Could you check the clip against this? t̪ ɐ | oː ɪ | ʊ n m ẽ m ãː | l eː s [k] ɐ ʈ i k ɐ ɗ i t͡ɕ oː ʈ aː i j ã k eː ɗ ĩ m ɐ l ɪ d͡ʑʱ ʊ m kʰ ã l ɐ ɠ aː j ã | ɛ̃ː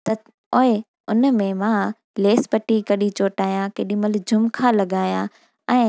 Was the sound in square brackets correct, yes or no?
no